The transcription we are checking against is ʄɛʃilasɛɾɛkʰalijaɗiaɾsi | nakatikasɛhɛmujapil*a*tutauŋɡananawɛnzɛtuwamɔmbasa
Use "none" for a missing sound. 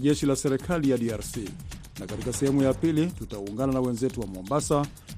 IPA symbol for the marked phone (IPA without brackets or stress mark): i